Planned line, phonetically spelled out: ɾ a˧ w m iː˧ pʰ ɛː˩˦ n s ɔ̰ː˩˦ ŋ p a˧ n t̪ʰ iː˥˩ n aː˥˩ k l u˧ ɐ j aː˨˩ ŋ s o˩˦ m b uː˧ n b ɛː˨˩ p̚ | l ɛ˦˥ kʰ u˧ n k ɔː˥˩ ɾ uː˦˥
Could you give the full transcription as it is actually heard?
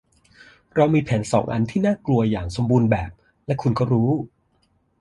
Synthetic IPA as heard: ɾ a˧ w m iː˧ pʰ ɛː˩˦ n s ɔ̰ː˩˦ ŋ ʔ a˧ n t̪ʰ iː˥˩ n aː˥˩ k l u˧ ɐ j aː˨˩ ŋ s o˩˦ m b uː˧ n b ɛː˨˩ p̚ | l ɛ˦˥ kʰ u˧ n k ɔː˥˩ ɾ uː˦˥